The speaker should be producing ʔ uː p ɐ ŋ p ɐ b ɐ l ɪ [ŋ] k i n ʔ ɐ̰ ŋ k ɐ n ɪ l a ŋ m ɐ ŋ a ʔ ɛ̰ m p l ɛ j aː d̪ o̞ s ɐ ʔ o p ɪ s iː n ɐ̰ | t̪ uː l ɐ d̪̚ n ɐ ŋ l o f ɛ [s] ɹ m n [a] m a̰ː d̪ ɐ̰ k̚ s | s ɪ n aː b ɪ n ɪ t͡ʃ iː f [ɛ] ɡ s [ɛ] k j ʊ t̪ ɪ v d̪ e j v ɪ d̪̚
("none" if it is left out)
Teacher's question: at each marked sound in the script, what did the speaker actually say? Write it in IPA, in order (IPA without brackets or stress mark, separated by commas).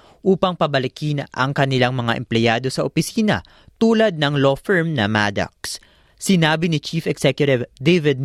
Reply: none, none, ɐ, ɛ, ɛ